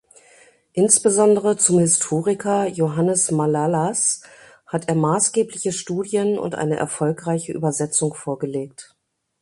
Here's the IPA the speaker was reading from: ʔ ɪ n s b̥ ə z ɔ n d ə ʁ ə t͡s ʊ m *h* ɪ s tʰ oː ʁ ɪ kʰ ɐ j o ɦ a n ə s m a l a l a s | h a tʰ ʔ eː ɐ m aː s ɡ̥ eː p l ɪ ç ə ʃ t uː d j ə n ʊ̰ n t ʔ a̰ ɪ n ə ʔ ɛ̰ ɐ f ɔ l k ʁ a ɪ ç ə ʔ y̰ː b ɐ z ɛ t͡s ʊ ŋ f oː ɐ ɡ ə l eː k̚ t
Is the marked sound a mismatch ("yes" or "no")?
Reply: no